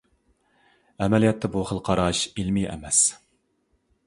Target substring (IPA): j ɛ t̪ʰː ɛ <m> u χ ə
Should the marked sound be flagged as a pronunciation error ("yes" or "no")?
yes